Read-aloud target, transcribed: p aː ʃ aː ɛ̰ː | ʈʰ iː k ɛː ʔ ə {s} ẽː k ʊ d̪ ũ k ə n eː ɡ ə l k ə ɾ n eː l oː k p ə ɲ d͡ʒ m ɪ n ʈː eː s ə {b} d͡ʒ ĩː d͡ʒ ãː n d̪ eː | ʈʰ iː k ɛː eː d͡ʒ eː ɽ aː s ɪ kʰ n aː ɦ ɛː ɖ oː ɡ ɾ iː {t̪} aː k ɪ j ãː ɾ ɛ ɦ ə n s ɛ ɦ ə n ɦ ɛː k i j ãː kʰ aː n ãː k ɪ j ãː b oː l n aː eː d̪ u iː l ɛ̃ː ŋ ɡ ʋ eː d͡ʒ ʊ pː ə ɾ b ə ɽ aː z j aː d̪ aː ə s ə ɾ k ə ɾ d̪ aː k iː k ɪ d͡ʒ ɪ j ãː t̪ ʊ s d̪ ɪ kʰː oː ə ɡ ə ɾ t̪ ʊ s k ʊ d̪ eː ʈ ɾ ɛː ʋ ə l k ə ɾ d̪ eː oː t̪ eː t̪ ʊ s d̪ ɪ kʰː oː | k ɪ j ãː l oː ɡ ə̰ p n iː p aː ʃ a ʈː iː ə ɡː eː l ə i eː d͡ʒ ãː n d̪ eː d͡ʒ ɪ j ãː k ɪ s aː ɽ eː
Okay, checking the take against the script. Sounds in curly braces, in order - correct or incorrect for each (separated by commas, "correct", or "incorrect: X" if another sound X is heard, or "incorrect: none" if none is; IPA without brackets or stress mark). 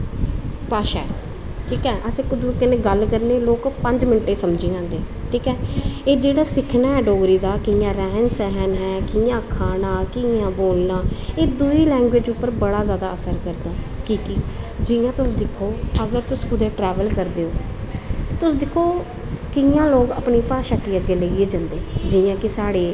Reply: correct, incorrect: m, incorrect: d̪